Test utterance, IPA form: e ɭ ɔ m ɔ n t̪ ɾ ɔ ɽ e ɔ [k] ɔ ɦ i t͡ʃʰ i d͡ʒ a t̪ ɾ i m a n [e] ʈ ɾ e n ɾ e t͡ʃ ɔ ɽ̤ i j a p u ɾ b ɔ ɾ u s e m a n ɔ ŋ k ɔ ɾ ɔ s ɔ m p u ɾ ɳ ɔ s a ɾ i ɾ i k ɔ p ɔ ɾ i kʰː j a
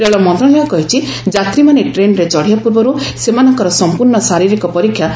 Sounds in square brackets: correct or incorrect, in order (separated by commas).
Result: correct, correct